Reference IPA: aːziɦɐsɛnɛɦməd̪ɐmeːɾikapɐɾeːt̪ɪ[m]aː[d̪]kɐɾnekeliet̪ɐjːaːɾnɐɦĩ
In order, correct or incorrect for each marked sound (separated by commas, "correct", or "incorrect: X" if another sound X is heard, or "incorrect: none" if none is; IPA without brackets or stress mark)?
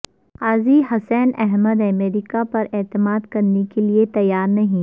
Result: correct, correct